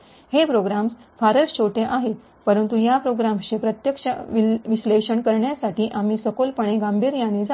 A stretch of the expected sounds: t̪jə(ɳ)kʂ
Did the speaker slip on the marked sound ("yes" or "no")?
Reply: yes